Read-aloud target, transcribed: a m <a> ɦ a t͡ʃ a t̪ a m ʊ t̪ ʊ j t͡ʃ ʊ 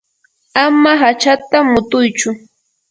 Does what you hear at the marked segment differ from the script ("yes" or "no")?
no